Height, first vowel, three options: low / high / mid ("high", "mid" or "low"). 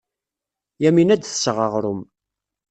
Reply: low